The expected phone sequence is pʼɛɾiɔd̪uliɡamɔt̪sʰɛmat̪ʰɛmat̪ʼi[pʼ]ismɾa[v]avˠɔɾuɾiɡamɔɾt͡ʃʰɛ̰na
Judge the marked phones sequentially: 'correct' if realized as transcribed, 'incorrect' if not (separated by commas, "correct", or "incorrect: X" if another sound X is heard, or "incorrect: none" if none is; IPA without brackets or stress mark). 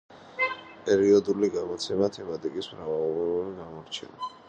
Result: incorrect: kʼ, correct